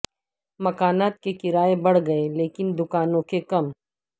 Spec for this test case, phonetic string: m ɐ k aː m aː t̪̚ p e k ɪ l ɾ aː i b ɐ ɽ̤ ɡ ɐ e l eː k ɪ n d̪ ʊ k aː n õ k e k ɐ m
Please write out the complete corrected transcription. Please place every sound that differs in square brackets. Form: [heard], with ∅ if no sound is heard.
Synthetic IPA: m ɐ k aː [n] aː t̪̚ [k] e k ɪ [∅] ɾ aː [e] b ɐ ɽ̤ ɡ ɐ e l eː k ɪ n d̪ ʊ k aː n õ k e k ɐ m